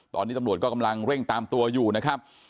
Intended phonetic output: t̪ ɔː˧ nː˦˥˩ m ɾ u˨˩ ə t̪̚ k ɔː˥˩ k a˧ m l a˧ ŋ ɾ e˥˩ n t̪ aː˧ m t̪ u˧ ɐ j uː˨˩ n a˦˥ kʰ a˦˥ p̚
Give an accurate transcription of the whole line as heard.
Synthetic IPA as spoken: t̪ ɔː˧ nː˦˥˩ m ɾ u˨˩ ə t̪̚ k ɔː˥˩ k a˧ m l a˧ ŋ ɾ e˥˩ ŋ t̪ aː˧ m t̪ u˧ ɐ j uː˨˩ n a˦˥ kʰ a˦˥ p̚